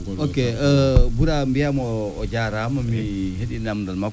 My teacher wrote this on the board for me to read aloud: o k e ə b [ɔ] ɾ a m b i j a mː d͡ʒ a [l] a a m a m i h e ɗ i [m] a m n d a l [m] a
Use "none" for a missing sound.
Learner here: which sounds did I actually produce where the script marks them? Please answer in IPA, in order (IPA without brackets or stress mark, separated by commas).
u, ɾ, n, m